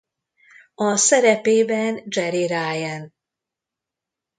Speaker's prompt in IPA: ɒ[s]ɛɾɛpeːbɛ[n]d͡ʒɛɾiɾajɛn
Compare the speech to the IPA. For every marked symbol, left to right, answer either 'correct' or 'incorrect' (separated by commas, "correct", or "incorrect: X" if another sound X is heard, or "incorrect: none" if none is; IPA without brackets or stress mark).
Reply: correct, correct